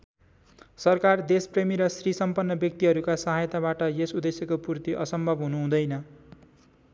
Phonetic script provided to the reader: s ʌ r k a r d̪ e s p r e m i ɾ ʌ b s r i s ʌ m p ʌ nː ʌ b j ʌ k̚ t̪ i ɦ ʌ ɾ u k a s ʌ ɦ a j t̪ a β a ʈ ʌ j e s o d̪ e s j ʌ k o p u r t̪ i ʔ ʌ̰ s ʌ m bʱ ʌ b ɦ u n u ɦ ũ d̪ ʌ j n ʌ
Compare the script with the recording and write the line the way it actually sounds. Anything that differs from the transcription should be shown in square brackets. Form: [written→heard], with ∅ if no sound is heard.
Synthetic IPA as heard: s ʌ r k a r d̪ e s p r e m i ɾ ʌ [b→∅] s r i s ʌ m p ʌ nː ʌ b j ʌ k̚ t̪ i ɦ ʌ ɾ u k a s ʌ ɦ a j t̪ a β a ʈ ʌ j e s [o→u] d̪ e s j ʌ k o p u r t̪ i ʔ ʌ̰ s ʌ m bʱ ʌ b ɦ u n u ɦ ũ d̪ ʌ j n ʌ